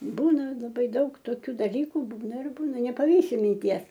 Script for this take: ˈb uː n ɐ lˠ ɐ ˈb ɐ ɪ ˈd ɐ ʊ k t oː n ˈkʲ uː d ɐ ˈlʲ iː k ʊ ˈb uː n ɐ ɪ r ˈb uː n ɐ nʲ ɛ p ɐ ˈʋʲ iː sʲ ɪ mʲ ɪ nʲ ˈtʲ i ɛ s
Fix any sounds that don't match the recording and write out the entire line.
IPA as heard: ˈb uː n ɐ lˠ ɐ ˈb ɐ ɪ ˈd ɐ ʊ k t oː ˈkʲ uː d ɐ ˈlʲ iː k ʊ ˈb uː n ɐ ɪ r ˈb uː n ɐ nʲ ɛ p ɐ ˈʋʲ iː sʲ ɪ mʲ ɪ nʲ ˈtʲ i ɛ s